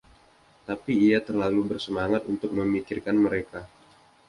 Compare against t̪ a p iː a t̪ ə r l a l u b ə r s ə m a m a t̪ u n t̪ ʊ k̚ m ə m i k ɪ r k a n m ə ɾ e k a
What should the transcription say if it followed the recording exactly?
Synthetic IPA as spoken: t̪ a p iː a t̪ ə r l a l u b ə r s ə m a ŋ a t̪ u n t̪ ʊ k̚ m ə m i k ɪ r k a n m ə ɾ e k a